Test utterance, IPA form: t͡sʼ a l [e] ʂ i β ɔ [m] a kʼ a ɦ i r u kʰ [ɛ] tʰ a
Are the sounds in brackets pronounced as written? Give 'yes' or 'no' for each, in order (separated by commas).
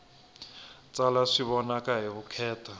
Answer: no, no, no